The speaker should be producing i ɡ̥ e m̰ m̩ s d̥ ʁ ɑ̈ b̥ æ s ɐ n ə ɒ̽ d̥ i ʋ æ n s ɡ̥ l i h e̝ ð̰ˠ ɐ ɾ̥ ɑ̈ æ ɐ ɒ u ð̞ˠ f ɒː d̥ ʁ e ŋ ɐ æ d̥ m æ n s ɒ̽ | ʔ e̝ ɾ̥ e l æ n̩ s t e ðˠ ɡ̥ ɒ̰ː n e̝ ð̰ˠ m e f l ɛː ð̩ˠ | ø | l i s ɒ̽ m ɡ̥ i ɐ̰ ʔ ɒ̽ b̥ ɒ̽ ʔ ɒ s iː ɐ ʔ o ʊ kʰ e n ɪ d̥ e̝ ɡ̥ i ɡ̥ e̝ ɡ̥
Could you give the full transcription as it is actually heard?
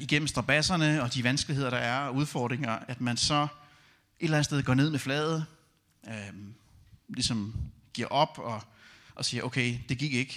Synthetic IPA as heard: i ɡ̥ e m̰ m̩ s d̥ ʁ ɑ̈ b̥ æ s ɐ n ə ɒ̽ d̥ i ʋ æ n s ɡ̥ l i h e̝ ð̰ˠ ɐ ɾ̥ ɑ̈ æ ɐ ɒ u ð̞ˠ f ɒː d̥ ʁ e ŋ ɐ æ d̥ m æ n s ɒ̽ | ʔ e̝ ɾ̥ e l æ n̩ s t e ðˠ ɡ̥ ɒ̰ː n e̝ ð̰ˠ m e f l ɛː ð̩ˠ | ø | l i s ɒ̽ m ɡ̥ i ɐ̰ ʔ ɒ̽ b̥ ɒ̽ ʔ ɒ s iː ɐ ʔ o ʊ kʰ e ɪ d̥ e̝ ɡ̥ i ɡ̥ e̝ ɡ̥